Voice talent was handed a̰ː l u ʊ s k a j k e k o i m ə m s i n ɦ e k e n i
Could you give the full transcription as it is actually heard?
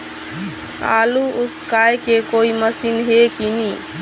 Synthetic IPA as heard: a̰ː l u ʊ s k a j k e k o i m ə s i n ɦ e k i n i

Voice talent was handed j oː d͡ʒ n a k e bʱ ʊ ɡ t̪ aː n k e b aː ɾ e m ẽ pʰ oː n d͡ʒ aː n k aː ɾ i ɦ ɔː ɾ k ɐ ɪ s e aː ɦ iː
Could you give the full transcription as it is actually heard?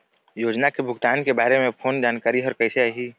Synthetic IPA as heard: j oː d͡ʒ n a k e bʱ ʊ ɡ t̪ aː n k e b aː ɾ e m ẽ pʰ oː n d͡ʒ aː n k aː ɾ i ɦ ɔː ɾ k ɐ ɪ s e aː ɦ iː

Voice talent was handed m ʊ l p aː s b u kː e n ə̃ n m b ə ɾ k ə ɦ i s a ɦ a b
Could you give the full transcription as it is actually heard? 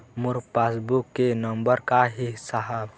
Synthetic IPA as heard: m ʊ ɾ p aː s b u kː e n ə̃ m b ə ɾ k a ɦ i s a ɦ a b

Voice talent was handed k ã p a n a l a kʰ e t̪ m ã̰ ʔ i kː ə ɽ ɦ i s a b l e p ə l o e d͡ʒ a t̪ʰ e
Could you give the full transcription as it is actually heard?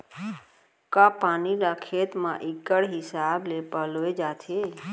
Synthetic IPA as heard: k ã p a n i l a kʰ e t̪ m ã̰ ʔ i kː ə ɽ ɦ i s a b l e p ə l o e d͡ʒ a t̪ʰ e

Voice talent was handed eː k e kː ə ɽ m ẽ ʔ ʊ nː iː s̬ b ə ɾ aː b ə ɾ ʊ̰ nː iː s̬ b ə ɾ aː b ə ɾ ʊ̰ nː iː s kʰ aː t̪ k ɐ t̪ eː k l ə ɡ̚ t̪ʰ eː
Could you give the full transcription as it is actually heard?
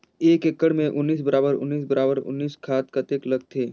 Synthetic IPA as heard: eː k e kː ə ɽ m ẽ ʔ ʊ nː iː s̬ b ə ɾ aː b ə ɾ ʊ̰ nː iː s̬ b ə ɾ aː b ə ɾ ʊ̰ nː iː s kʰ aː t̪ k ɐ t̪ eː k l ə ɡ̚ t̪ʰ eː

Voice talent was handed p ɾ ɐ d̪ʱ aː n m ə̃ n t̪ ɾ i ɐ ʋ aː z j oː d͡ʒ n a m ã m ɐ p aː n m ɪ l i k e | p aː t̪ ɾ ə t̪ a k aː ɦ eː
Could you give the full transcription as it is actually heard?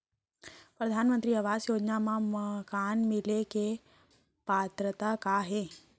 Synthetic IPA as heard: p ɾ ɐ d̪ʱ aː n m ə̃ n t̪ ɾ i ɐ ʋ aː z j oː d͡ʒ n a m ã m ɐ k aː n m ɪ l e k e | p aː t̪ ɾ ə t̪ a k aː ɦ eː

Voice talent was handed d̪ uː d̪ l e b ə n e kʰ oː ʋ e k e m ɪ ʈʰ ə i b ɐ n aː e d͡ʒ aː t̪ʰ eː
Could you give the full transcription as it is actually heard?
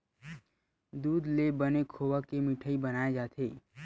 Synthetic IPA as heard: d̪ uː d̪ l e b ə n e kʰ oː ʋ a k e m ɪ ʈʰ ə i b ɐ n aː e d͡ʒ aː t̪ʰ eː

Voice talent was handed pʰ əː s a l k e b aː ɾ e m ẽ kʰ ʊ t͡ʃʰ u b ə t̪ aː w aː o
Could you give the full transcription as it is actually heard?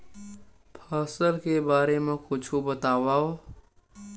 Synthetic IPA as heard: pʰ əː s ə l k e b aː ɾ e m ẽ k ʊ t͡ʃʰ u b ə t̪ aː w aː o

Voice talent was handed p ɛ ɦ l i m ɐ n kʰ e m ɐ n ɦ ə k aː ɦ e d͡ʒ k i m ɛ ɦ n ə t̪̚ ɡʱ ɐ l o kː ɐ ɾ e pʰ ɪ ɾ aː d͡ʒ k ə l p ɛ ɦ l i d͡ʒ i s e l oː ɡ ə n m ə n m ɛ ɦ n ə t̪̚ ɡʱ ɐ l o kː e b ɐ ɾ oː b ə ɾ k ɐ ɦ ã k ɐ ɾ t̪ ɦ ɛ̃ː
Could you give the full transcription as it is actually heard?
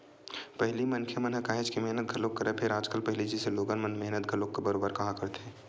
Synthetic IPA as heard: p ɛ ɦ l i m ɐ n kʰ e m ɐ n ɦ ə k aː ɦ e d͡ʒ k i m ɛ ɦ n ə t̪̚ ɡʱ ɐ l o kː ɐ ɾ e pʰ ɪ ɾ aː d͡ʒ k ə l p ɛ ɦ l i d͡ʒ i s e l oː ɡ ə n m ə n m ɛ ɦ n ə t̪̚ ɡʱ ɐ l o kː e b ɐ ɾ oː b ə ɾ k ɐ ɦ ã k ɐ ɾ t̪ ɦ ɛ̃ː

